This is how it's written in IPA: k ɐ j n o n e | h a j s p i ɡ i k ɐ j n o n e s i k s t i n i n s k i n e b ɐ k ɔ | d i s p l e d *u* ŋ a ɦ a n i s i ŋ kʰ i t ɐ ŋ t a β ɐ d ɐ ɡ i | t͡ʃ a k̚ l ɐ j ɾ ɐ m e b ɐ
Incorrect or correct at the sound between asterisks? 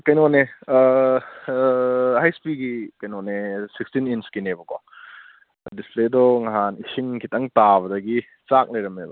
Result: incorrect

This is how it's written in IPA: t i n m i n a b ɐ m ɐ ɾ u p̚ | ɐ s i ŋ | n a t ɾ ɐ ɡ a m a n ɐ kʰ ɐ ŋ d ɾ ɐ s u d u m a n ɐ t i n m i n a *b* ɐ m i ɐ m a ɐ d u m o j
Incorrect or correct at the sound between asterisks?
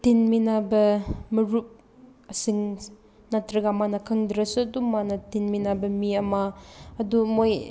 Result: correct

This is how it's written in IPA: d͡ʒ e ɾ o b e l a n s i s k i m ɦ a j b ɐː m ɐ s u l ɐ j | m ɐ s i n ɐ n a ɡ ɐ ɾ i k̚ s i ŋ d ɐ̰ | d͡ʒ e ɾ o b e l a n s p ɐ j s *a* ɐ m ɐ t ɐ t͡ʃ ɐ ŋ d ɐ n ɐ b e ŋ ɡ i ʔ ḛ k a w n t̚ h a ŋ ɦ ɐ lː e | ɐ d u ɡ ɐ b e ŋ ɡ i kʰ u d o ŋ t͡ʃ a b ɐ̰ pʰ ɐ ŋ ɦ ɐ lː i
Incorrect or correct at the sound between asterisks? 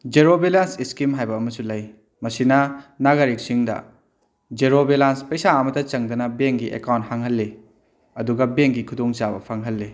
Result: correct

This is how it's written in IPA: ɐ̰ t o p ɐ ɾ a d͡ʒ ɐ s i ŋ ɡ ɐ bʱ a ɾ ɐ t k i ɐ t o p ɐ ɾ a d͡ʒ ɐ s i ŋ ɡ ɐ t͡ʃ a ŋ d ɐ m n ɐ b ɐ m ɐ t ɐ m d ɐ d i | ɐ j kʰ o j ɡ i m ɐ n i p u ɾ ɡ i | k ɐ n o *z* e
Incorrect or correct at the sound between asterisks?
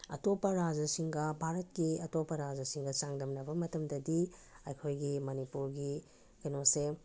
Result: incorrect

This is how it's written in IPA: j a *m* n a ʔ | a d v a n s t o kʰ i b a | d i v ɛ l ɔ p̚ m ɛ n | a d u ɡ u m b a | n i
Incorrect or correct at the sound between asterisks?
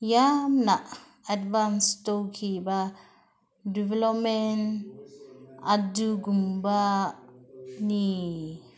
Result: correct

